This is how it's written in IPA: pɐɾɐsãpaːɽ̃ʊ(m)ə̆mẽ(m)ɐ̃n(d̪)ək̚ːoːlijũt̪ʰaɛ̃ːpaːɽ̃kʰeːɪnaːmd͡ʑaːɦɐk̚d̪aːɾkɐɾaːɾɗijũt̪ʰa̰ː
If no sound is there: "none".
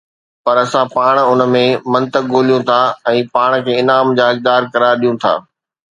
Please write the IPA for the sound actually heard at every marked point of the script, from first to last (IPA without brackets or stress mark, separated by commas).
n, m, t̪